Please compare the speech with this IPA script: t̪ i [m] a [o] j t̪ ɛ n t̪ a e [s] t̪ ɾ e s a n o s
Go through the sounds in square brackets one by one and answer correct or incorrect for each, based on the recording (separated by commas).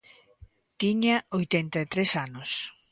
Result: incorrect, correct, incorrect